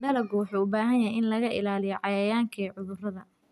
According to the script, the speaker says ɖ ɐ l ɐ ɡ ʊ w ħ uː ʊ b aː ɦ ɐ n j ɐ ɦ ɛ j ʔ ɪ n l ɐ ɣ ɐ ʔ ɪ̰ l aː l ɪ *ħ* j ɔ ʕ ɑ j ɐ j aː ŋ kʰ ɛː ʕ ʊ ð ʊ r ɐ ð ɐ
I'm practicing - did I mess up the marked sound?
yes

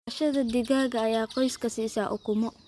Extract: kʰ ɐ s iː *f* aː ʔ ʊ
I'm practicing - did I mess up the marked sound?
yes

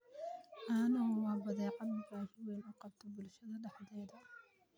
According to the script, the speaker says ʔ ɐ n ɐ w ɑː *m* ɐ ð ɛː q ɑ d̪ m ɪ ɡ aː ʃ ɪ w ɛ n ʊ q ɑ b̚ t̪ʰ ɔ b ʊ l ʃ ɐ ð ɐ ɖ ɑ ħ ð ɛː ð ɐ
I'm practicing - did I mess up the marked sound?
yes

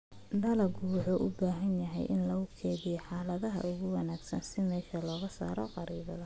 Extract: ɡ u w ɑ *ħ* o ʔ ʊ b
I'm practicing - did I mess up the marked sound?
no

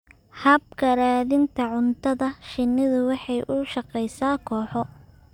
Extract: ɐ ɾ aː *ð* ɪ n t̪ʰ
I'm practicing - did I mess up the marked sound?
no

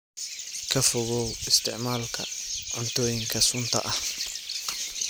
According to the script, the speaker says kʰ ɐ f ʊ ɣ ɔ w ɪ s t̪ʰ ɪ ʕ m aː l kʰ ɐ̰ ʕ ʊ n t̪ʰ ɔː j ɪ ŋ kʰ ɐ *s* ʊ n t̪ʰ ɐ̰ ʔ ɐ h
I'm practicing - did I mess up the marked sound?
no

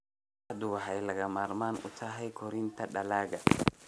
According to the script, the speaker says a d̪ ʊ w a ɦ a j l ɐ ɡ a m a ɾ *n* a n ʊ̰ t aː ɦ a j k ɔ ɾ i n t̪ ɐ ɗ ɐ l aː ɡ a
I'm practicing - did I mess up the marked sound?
yes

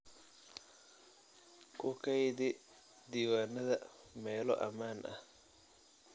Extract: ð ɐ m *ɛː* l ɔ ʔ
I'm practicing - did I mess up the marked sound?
no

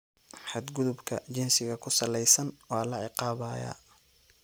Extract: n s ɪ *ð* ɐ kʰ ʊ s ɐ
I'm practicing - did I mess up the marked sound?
yes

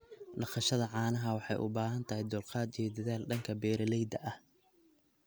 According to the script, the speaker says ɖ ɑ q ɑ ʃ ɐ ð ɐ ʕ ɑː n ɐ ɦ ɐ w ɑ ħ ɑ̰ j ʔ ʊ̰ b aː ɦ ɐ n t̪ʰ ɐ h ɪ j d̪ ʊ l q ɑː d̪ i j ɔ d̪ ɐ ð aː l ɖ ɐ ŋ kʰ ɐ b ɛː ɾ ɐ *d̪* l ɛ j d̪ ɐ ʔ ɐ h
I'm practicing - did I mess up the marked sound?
yes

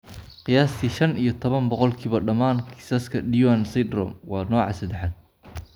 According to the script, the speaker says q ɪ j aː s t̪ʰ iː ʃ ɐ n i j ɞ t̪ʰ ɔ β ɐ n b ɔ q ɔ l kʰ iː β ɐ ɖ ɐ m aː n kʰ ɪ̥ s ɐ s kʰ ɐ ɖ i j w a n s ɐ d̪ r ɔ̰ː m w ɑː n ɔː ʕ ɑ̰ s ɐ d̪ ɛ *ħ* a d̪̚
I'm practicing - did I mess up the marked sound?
no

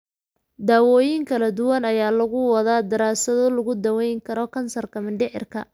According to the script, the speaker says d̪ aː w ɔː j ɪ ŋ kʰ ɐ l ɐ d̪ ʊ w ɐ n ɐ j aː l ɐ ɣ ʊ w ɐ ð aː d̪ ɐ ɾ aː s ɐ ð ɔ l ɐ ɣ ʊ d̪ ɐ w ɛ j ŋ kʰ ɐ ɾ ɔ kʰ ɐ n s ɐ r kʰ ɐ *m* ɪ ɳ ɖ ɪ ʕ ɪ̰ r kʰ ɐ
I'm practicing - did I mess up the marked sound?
no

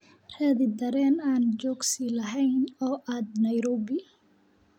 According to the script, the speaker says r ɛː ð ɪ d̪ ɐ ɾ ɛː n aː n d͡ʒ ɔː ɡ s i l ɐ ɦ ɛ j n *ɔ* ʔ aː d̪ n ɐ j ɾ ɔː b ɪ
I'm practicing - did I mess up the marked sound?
yes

